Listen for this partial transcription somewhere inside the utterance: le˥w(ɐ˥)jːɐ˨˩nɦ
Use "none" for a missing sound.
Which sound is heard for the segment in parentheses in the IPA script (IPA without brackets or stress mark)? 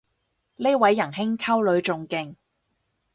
ɐ˨˥